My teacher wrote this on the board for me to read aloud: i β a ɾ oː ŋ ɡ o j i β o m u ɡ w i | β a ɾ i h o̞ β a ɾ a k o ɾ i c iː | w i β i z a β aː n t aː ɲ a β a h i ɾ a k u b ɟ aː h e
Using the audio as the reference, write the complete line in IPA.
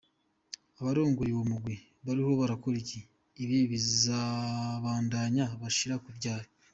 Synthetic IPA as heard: a β a ɾ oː ŋ ɡ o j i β o m u ɡ w i | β a ɾ i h o̞ β a ɾ a k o ɾ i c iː | β i β i z a β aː n d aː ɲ a β a ʃ i ɾ a k u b ɟ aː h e